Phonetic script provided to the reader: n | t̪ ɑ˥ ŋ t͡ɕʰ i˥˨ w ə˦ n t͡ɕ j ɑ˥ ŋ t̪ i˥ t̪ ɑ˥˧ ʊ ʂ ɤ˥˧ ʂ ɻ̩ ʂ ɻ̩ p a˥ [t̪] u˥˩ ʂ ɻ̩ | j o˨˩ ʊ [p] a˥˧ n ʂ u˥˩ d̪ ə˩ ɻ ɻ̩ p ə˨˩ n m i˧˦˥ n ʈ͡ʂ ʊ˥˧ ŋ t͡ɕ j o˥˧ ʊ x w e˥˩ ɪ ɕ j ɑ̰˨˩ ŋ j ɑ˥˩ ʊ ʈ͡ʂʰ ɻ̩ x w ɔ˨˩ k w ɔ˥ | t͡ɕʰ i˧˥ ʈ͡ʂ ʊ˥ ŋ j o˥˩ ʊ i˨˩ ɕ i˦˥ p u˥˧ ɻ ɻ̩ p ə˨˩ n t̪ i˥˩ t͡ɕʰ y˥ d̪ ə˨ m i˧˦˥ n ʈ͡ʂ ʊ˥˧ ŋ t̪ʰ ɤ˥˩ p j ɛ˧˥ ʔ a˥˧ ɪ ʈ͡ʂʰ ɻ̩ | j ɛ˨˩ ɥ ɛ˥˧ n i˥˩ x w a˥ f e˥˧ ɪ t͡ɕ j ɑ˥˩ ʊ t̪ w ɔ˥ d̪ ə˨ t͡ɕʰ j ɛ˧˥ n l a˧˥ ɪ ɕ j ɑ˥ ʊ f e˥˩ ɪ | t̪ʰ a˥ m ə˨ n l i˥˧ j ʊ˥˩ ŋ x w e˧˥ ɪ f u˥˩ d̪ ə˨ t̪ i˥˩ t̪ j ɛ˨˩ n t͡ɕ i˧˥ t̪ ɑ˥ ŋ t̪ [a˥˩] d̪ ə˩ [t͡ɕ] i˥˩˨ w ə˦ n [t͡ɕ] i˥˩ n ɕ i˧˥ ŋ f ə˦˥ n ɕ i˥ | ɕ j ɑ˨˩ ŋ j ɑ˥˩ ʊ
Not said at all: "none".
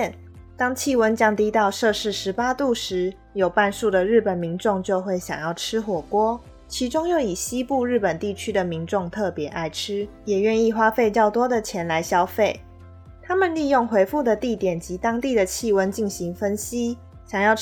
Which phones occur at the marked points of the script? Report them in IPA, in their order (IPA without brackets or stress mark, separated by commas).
t̪, p, i˥˩, t͡ɕʰ, t͡ɕ